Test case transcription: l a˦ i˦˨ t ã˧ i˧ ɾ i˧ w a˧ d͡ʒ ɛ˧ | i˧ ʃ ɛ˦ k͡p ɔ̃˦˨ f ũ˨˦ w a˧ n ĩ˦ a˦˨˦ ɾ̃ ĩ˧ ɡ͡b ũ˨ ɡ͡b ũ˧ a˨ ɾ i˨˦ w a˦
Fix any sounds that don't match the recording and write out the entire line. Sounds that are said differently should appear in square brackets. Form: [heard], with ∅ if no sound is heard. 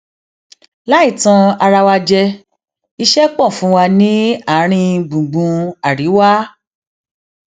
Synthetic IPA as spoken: l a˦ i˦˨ t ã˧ [a˧] ɾ [a˧] w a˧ d͡ʒ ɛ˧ | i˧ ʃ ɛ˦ k͡p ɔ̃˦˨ f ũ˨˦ w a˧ n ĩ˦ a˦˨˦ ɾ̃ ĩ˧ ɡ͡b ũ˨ ɡ͡b ũ˧ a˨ ɾ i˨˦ w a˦